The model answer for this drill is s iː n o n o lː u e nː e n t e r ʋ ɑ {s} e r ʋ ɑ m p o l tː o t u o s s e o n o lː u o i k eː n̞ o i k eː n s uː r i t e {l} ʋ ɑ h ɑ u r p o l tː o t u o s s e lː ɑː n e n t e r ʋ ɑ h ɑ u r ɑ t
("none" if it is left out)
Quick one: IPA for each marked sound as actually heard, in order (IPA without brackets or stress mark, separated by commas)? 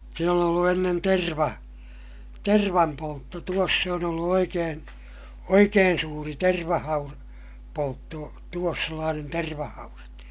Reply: t, r